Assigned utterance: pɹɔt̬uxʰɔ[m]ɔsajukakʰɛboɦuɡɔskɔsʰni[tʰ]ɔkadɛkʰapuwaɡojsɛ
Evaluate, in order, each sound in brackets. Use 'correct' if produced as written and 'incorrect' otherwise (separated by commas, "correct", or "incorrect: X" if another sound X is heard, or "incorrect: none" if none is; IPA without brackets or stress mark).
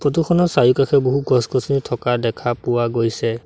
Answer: incorrect: n, correct